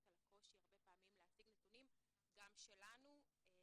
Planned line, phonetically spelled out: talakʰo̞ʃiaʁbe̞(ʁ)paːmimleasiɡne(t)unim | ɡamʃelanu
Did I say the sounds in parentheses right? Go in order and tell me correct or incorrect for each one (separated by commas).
incorrect, correct